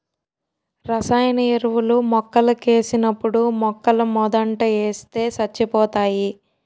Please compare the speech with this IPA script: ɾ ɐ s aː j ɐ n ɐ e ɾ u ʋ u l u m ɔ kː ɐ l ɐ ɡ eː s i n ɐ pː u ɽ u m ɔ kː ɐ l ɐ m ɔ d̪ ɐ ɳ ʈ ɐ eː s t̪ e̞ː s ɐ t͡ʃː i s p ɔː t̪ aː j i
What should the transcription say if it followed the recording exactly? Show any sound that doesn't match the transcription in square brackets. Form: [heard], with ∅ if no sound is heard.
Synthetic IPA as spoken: ɾ ɐ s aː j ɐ n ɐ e ɾ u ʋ u l u m ɔ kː ɐ l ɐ [k] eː s i n ɐ pː u ɽ u m ɔ kː ɐ l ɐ m ɔ d̪ ɐ ɳ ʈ ɐ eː s t̪ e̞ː s ɐ t͡ʃː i [∅] p ɔː t̪ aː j i